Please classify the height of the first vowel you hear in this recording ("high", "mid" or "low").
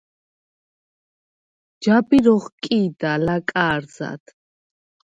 low